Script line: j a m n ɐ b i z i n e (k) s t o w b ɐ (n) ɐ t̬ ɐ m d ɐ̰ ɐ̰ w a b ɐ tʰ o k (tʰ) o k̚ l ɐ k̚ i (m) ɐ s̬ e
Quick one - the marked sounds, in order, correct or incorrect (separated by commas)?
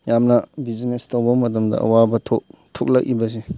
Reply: incorrect, incorrect, correct, incorrect